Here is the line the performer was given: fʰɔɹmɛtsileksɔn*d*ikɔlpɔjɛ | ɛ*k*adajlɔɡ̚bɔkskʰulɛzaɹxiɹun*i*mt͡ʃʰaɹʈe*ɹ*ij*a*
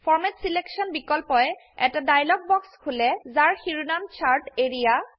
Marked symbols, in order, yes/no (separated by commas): no, no, no, yes, yes